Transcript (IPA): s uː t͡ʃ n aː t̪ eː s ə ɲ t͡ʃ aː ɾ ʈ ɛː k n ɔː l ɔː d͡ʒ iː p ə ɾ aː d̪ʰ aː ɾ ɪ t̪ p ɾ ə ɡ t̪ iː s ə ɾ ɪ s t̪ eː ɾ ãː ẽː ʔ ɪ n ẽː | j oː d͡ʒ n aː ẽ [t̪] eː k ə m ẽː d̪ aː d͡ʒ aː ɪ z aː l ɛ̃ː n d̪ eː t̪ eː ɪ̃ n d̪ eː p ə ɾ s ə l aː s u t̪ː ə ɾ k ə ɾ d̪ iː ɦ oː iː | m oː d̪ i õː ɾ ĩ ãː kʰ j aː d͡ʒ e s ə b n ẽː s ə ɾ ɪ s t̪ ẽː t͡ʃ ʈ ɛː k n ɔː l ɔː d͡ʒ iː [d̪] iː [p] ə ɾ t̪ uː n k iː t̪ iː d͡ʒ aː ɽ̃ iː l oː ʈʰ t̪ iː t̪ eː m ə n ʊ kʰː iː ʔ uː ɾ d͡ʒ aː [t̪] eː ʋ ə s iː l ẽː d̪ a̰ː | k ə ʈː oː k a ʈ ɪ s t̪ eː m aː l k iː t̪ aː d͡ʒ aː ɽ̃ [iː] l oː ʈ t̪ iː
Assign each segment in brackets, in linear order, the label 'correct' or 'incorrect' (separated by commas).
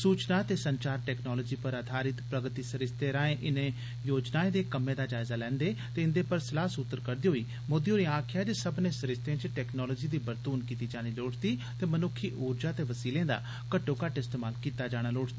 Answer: incorrect, correct, incorrect, correct, incorrect